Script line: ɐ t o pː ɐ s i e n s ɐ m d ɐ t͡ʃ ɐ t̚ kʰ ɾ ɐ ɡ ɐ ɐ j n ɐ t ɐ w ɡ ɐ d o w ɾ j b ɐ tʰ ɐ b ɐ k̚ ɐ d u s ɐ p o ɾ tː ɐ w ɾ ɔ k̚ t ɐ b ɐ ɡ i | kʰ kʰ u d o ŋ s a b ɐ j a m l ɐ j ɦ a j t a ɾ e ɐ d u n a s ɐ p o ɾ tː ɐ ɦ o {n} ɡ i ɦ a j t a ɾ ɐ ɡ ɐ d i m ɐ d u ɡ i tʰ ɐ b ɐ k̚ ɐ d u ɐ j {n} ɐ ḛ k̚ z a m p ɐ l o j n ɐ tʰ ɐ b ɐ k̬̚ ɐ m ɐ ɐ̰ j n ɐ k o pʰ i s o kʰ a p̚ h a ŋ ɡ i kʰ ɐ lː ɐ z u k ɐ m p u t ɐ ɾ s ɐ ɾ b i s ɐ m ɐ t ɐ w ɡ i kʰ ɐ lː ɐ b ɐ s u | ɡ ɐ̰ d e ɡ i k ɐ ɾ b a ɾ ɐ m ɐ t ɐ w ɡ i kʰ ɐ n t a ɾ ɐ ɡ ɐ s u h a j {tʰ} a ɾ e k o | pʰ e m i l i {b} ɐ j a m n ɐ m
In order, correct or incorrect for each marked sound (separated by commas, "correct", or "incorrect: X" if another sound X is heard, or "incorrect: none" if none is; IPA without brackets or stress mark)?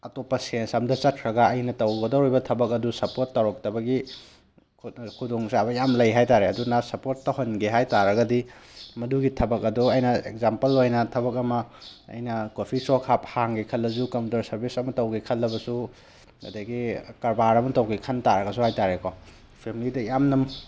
correct, correct, incorrect: t, incorrect: d